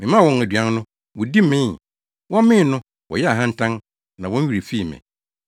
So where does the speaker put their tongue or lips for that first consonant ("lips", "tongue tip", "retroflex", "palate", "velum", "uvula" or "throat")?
lips